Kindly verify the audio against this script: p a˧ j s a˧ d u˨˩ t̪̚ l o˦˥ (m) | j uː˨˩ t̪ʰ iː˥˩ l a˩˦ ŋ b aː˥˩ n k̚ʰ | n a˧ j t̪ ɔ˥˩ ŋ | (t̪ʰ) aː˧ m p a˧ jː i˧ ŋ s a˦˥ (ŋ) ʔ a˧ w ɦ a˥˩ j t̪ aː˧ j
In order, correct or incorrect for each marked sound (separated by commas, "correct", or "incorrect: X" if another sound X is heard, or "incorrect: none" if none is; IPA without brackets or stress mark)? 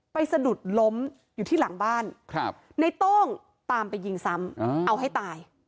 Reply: correct, incorrect: t̪, incorrect: m